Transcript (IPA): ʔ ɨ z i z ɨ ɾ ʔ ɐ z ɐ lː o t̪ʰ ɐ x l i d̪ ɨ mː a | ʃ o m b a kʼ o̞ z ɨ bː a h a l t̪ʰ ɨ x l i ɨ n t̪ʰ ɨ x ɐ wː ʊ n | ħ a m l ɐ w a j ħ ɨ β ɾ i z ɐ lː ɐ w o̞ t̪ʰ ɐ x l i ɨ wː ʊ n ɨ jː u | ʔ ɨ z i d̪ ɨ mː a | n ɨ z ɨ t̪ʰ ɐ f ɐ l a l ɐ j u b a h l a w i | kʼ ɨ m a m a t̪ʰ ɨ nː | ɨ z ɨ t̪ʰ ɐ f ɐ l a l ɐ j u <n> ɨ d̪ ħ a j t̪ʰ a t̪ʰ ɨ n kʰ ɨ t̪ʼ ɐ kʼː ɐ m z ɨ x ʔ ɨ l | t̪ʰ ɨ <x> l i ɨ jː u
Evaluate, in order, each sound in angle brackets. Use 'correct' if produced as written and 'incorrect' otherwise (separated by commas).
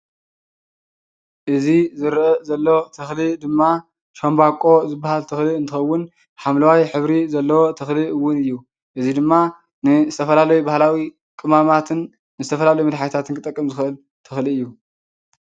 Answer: incorrect, correct